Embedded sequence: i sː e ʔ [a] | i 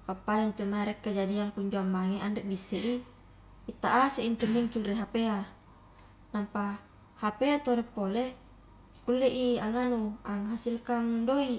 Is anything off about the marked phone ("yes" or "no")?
yes